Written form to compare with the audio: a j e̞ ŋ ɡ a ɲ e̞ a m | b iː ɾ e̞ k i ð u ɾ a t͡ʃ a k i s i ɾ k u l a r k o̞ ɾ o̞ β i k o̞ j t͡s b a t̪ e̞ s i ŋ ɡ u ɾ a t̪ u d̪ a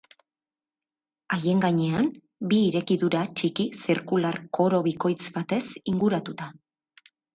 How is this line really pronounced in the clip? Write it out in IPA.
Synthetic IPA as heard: a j e̞ ŋ ɡ a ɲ e̞ a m | b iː ɾ e̞ k i ð u ɾ a t͡ʃ i k i s i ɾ k u l a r k o̞ ɾ o̞ β i k o̞ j t͡s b a t̪ e̞ s i ŋ ɡ u ɾ a t̪ u t̪ a